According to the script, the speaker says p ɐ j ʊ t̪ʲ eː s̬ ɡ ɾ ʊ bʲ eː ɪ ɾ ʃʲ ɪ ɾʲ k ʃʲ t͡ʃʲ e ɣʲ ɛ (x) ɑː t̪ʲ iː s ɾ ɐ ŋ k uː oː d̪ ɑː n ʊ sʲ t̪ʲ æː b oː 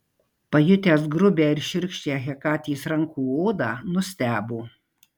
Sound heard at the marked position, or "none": k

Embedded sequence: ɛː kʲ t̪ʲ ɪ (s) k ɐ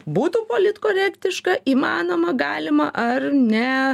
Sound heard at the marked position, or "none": ʃ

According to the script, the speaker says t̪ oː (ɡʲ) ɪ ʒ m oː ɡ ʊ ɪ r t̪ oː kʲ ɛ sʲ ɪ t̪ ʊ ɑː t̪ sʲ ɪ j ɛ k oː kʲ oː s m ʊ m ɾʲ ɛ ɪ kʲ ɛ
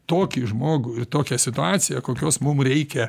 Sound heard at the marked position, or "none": kʲ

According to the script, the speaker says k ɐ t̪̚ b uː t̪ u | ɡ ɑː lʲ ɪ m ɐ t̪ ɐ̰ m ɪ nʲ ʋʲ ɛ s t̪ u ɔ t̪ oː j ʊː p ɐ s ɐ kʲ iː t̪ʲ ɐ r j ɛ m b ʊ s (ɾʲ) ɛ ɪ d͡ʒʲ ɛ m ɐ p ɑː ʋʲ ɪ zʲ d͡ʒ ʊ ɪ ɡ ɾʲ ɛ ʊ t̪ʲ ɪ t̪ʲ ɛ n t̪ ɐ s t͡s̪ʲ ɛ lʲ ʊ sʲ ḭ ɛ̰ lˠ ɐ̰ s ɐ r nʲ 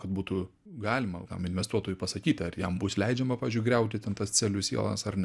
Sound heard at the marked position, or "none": lʲ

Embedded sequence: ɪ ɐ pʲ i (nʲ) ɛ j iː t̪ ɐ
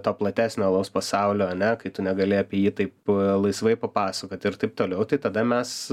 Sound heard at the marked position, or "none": none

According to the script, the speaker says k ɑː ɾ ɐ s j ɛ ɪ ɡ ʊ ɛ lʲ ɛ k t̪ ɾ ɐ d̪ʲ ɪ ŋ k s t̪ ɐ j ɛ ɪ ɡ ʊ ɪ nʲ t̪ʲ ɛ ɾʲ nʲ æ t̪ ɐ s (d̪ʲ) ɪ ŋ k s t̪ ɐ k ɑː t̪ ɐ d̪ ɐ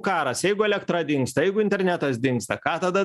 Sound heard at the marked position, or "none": d̪ʲ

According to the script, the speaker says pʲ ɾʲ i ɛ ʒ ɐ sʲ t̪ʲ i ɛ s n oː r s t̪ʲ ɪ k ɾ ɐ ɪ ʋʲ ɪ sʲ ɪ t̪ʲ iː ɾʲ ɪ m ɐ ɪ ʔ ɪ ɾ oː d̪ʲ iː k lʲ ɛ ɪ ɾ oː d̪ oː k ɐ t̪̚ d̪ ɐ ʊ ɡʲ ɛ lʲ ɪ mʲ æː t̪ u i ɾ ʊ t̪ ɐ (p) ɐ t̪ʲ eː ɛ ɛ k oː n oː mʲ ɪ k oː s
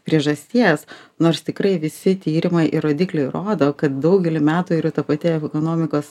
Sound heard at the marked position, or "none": p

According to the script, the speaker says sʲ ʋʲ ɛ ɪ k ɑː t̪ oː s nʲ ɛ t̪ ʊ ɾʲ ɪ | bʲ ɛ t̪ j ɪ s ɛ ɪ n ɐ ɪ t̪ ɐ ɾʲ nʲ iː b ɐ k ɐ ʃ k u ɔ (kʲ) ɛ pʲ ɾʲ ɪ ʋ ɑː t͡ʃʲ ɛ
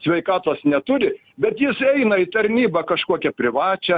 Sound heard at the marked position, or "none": kʲ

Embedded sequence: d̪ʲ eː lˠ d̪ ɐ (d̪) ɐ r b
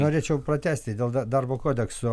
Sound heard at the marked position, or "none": d̪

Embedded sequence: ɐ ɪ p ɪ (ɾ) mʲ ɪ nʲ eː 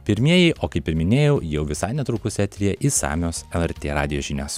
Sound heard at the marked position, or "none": ɾ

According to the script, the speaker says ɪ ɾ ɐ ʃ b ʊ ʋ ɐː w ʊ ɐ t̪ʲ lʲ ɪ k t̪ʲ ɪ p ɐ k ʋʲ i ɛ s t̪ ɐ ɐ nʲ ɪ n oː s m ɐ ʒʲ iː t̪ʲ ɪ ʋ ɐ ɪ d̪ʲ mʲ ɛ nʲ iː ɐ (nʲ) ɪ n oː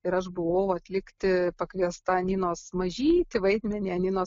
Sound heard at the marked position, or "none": nʲ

